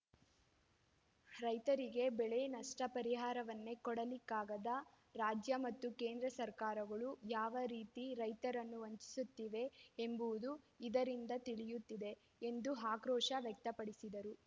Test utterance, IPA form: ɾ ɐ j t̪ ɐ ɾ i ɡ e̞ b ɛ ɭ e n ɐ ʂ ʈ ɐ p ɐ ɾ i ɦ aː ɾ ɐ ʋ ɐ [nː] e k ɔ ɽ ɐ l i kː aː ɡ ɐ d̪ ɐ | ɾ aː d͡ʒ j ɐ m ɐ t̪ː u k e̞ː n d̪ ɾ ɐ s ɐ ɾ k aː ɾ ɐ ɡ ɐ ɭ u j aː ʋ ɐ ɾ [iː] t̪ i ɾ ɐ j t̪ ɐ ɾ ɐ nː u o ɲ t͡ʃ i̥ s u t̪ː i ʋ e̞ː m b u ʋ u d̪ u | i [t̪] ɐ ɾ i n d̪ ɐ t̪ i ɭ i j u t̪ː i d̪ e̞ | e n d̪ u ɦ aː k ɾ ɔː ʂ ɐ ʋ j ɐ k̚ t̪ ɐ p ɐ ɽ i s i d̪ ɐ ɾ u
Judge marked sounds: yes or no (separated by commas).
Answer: yes, yes, no